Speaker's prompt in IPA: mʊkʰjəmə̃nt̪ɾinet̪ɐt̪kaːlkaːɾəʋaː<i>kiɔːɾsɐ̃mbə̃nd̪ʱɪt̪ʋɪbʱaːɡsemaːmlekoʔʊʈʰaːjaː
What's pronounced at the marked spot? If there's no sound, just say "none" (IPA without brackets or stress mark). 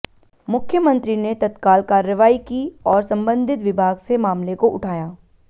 i